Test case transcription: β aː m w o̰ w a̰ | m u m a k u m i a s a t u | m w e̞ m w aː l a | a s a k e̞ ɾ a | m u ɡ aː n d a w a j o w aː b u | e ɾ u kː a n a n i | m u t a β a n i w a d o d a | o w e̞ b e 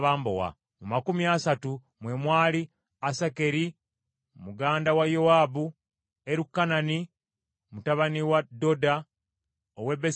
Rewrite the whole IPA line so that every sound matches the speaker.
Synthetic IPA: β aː m b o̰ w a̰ | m u m a k u m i a s a t u | m w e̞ m w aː l i | a s a k e̞ ɾ i | m u ɡ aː n d a w a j o w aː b u | e ɾ u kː a n a n i | m u t a β a n i w a d o d a | o w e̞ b e